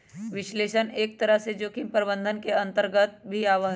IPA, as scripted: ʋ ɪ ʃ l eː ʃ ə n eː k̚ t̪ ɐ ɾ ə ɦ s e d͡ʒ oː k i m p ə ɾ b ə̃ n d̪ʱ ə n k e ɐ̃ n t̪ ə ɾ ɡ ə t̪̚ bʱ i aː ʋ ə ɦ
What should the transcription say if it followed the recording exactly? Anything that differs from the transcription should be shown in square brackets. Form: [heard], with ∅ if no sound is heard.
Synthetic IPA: ʋ ɪ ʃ l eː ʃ ə n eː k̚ t̪ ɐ ɾ ə ɦ s e d͡ʒ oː k i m p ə ɾ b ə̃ n d̪ʱ ə n k e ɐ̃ n t̪ ə ɾ ɡ ə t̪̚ bʱ i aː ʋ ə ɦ